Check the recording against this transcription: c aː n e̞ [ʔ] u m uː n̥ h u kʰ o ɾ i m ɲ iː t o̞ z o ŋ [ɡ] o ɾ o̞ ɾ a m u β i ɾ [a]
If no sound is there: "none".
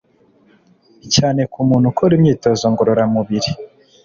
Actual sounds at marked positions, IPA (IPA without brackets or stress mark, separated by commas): k, ɡ, i